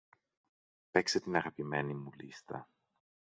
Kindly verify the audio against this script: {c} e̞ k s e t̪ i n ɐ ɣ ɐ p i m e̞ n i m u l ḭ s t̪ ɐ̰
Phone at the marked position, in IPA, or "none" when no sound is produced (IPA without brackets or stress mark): p